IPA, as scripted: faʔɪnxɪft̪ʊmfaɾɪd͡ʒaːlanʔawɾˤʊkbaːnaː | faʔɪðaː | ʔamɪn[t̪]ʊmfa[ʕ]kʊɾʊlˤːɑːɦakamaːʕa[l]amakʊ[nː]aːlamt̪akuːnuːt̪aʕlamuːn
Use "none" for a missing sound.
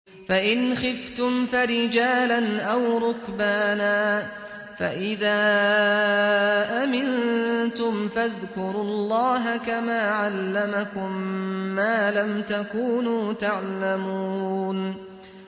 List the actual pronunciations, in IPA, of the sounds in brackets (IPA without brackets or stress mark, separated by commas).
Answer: t̪, ð, lː, mː